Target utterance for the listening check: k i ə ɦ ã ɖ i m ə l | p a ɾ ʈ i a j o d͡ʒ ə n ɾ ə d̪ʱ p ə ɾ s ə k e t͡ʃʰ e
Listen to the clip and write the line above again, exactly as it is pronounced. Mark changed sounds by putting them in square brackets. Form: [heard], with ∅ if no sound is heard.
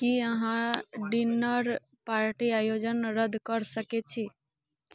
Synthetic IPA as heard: k i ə ɦ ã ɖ i [n] ə [ɾ] | p a ɾ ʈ i a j o d͡ʒ ə n ɾ ə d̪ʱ [k] ə ɾ s ə k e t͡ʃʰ [i]